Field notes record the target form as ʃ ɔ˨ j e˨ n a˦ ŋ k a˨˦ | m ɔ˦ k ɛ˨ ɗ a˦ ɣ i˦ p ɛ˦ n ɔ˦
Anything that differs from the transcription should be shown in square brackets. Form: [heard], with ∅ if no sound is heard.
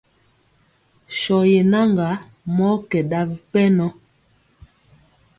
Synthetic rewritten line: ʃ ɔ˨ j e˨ n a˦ ŋ [ɡ] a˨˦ | m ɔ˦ k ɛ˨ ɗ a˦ [v] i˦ p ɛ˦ n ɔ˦